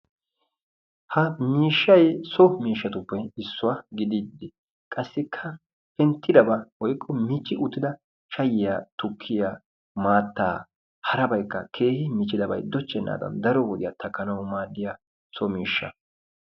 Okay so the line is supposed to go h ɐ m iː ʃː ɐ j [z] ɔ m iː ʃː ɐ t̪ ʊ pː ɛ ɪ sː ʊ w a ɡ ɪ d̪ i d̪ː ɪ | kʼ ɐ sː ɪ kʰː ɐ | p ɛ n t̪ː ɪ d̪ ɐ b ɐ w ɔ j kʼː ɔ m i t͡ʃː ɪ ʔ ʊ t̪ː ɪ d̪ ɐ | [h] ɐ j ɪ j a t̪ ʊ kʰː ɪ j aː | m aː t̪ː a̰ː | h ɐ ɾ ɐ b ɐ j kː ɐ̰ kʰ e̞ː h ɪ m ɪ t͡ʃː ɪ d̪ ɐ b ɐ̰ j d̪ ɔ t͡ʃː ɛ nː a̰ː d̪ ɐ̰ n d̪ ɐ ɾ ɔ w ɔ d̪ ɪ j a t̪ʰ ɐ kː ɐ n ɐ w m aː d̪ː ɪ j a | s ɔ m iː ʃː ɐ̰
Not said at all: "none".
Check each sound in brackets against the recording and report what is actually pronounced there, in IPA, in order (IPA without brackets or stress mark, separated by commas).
s, ʃ